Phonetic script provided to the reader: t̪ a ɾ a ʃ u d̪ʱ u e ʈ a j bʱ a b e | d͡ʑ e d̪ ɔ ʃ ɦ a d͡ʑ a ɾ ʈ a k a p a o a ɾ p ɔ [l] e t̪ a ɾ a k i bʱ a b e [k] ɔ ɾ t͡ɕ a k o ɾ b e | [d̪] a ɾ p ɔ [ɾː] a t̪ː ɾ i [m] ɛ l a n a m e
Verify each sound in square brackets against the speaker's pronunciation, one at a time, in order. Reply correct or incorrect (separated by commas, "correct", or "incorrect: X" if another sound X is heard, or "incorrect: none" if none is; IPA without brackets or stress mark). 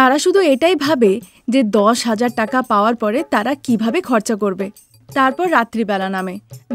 incorrect: ɾ, incorrect: kʰ, incorrect: t̪, correct, incorrect: b